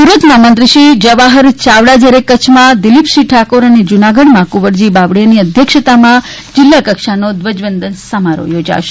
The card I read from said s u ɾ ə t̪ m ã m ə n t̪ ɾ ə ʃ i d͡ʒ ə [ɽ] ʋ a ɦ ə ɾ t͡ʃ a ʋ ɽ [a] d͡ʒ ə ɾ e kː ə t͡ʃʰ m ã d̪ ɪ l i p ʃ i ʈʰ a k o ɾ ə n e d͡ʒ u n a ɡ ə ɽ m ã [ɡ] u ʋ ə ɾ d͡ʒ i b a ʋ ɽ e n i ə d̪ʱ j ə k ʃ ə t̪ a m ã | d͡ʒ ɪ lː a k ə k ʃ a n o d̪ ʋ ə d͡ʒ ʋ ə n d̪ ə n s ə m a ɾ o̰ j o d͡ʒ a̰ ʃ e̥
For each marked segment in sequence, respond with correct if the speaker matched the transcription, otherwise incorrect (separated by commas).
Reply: incorrect, correct, incorrect